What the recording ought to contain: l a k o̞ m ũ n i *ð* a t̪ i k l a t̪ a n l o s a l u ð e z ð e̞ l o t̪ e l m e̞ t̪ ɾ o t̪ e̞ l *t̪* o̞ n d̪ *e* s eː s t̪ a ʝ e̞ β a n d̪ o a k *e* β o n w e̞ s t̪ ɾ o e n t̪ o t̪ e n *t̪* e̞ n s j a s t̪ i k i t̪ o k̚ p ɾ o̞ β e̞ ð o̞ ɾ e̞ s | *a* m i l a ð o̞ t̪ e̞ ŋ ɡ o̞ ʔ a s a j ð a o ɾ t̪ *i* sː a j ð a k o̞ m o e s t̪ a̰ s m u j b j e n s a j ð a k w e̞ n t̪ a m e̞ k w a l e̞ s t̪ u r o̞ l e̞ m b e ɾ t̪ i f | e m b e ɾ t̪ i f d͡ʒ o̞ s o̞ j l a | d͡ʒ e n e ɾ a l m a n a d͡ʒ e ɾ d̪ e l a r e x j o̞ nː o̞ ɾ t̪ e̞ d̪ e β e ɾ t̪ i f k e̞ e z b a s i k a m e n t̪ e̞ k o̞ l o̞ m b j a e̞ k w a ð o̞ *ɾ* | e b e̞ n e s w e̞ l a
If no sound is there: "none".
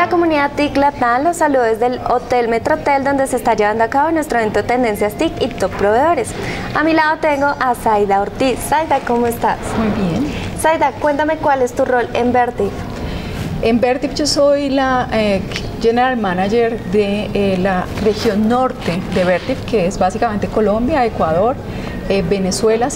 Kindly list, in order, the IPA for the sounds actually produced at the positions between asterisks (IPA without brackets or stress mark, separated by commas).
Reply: ð, d̪, e, a, d̪, a, i, ɾ